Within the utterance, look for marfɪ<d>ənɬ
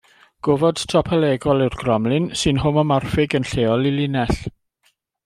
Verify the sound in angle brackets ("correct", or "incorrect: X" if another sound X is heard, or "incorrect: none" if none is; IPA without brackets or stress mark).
incorrect: ɡ